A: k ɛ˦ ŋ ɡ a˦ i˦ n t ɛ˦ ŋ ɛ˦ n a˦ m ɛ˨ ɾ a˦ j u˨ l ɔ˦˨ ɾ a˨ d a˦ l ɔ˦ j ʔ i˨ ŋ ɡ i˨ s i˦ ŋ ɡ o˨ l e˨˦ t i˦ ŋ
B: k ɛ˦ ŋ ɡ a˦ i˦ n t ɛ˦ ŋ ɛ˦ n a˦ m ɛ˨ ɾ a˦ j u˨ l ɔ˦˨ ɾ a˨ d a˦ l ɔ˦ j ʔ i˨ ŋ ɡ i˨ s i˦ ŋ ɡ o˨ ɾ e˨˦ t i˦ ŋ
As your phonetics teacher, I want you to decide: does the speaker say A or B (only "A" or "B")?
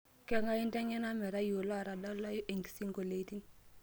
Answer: A